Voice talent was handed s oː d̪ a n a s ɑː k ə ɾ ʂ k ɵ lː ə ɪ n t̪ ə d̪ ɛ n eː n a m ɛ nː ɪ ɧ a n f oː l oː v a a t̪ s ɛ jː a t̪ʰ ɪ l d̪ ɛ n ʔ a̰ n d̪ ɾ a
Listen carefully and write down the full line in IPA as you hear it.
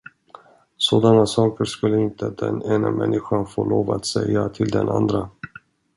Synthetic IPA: s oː d̪ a n a s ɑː k ə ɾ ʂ k ɵ lː ə ɪ n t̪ ə d̪ ɛ n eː n a m ɛ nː ɪ ɧ a n f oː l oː v a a t̪ s ɛ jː a t̪ʰ ɪ l d̪ ɛ n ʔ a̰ n d̪ ɾ a